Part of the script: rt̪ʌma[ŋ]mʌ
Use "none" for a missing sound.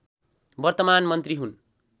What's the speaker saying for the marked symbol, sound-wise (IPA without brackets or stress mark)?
n